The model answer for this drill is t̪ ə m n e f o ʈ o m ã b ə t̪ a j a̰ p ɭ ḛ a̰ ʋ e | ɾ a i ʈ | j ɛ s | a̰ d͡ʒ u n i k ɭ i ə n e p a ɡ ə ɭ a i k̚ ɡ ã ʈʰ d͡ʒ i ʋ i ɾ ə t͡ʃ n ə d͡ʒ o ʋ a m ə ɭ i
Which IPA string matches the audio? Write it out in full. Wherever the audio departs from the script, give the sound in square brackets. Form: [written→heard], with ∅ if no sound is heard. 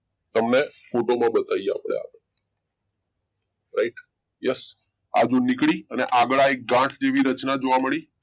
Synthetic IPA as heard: t̪ ə m n e f o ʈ o m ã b ə t̪ a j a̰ p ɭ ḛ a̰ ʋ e | ɾ a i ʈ | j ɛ s | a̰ d͡ʒ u n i k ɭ i ə n e [p→ʔ] a ɡ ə ɭ a [i→e] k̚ ɡ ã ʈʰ d͡ʒ [i→e] ʋ i ɾ ə t͡ʃ n [ə→a] d͡ʒ o ʋ a m ə ɭ i